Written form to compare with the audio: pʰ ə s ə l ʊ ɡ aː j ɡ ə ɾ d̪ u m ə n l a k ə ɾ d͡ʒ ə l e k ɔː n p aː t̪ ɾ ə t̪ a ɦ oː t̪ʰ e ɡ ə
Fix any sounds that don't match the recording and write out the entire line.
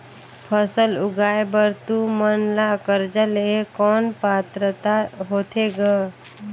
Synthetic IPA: pʰ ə s ə l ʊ ɡ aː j b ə ɾ t̪ u m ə n l a k ə ɾ d͡ʒ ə l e k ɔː n p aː t̪ ɾ ə t̪ a ɦ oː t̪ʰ e ɡ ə